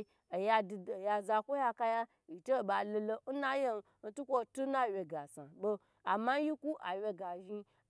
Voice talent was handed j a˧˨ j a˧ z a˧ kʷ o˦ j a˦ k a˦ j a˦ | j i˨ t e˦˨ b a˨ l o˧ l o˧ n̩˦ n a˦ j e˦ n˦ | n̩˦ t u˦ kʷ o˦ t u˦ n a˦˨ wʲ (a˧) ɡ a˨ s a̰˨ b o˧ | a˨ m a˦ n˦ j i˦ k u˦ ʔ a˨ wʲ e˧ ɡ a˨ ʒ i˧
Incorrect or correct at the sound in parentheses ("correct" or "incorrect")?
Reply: incorrect